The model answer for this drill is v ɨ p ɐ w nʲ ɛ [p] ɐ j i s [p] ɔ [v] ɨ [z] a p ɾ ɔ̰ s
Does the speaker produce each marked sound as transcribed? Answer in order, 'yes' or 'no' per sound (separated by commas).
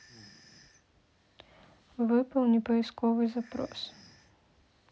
yes, no, yes, yes